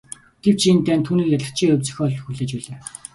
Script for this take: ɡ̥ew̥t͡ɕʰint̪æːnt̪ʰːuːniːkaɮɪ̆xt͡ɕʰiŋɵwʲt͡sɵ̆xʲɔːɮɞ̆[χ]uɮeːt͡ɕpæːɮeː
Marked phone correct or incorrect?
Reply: incorrect: x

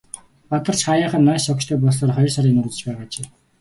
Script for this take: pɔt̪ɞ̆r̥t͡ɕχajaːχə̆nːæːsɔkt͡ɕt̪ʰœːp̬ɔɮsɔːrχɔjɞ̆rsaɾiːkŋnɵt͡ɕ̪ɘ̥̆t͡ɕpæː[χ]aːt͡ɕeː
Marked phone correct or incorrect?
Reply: incorrect: ʁ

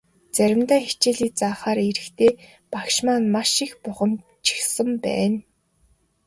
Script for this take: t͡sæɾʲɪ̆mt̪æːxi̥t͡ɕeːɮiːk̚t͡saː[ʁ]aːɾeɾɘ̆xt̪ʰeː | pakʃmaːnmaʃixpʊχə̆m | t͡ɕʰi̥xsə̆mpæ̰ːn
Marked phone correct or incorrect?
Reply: incorrect: χ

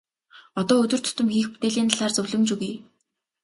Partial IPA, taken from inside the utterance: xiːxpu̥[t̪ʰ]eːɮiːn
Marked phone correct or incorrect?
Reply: incorrect: t̪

